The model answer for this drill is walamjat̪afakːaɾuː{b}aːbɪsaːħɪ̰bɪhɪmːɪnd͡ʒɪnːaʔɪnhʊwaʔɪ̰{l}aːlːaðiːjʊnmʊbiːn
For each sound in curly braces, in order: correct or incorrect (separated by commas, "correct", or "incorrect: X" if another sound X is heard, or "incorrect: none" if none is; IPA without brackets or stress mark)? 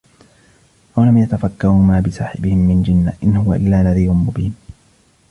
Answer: incorrect: m, incorrect: lː